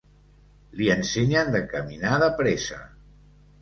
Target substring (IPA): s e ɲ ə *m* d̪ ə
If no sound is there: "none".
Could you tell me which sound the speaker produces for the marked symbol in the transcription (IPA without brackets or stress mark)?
n